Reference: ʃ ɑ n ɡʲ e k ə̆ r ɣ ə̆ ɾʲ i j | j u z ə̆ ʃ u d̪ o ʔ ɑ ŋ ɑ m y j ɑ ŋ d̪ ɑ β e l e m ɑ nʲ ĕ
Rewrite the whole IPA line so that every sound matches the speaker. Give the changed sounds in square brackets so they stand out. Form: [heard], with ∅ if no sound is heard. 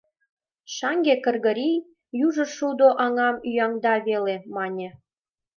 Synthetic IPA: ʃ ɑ [ŋ] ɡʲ e k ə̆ r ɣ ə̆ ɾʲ i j | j u [ʒ] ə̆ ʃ u d̪ o ʔ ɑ ŋ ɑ m y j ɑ ŋ d̪ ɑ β e l e m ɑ nʲ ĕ